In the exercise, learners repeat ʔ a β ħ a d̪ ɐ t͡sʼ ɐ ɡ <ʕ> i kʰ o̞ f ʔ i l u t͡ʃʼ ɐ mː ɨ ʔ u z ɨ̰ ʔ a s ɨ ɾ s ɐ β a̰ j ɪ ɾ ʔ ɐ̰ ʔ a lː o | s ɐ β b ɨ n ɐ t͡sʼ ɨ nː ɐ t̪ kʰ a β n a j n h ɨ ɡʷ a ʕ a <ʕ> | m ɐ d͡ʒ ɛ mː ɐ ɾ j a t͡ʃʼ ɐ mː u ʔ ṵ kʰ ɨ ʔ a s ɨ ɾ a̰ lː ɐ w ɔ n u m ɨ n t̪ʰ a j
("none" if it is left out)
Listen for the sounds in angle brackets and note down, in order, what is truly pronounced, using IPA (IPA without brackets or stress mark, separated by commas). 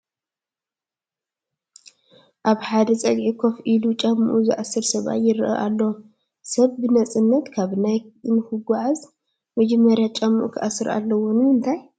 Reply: ʕ, z